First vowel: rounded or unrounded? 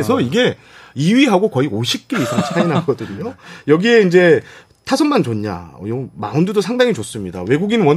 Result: unrounded